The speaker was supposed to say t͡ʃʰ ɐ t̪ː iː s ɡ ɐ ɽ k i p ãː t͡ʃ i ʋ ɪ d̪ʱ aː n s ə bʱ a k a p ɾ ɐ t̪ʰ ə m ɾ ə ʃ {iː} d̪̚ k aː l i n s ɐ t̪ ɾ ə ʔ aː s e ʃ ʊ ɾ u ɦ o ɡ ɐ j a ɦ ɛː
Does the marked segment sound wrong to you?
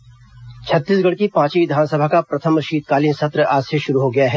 no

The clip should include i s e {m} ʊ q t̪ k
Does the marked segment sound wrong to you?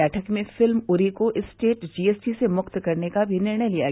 no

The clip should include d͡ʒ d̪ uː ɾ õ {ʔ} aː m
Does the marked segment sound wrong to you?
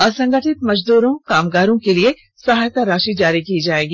yes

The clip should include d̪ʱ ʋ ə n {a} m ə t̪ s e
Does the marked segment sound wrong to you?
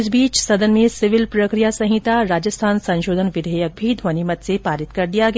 yes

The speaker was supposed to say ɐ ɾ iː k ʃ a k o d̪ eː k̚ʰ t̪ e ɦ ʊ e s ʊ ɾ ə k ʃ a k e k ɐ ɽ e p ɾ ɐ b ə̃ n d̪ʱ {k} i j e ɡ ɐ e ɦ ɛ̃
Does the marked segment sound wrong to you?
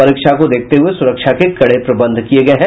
no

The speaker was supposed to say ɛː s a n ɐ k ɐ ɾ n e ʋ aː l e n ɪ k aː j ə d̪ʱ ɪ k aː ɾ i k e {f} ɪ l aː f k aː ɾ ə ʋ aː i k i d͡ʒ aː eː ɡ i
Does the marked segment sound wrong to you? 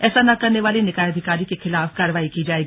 yes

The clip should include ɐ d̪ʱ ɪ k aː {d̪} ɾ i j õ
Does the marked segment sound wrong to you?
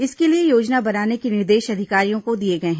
yes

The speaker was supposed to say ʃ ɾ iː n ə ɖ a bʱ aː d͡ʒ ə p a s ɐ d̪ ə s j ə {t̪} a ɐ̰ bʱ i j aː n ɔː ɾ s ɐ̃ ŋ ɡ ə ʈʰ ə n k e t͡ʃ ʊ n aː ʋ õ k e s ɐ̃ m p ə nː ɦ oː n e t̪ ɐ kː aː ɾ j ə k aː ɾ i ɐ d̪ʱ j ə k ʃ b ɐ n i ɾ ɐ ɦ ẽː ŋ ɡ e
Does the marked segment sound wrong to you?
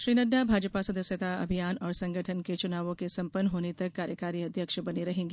no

